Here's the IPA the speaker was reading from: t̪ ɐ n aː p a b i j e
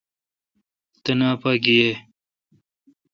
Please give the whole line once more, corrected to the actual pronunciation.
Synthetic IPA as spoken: t̪ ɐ n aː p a ɡ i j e